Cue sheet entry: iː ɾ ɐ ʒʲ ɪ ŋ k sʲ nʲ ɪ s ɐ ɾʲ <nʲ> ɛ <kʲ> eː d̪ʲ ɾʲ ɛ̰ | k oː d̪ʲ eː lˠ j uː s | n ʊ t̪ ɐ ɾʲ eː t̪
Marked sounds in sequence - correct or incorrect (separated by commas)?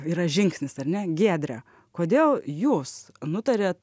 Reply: correct, incorrect